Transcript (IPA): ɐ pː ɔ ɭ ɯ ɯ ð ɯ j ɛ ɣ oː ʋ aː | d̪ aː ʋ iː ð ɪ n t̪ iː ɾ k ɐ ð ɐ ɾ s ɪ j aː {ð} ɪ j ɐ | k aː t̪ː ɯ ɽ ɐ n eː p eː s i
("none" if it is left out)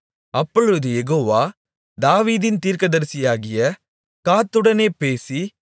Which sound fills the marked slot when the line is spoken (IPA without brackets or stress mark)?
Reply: ɣ